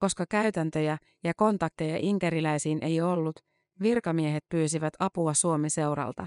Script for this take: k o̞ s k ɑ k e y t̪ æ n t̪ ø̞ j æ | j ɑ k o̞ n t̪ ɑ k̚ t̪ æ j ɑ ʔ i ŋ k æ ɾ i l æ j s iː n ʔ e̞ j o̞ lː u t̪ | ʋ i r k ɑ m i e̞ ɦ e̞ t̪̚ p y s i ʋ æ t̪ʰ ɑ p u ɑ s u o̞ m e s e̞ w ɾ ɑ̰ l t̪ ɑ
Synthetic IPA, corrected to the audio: k o̞ s k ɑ k æ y t̪ æ n t̪ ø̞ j æ | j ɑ k o̞ n t̪ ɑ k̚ t̪ e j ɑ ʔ i ŋ k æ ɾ i l æ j s iː n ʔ e̞ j o̞ lː u t̪ | ʋ i r k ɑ m i e̞ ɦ e̞ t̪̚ p yː s i ʋ æ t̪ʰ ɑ p u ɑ s u o̞ m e s e̞ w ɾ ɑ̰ l t̪ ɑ